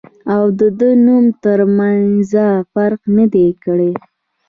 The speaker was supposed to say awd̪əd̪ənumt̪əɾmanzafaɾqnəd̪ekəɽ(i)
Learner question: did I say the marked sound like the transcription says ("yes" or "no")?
no